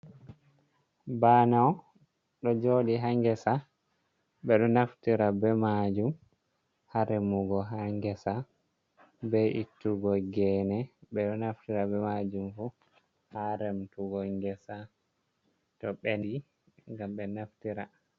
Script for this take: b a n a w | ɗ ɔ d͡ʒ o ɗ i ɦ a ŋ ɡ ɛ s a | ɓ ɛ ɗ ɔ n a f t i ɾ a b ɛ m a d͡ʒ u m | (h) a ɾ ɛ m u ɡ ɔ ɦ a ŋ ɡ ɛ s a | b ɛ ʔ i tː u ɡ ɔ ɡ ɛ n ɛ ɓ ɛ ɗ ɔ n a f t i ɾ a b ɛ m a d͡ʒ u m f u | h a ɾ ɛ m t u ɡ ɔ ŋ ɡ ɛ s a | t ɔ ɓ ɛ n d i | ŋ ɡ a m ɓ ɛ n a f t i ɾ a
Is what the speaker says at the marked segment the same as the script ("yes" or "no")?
yes